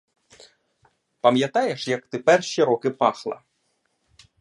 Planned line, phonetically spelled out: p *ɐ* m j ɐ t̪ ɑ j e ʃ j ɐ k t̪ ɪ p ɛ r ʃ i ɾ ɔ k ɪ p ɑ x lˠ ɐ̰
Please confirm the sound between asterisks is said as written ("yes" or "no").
yes